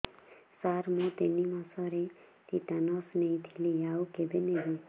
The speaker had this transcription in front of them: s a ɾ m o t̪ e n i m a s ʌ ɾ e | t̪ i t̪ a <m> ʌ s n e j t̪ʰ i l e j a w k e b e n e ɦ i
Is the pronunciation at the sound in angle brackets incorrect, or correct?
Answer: incorrect